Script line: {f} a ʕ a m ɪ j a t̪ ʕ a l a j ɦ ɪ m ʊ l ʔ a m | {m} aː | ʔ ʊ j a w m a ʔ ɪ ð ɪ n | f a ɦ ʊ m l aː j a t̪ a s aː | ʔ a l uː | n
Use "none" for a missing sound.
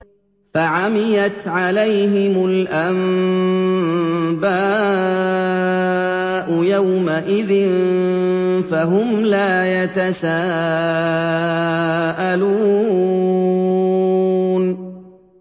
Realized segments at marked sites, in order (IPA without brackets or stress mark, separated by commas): f, b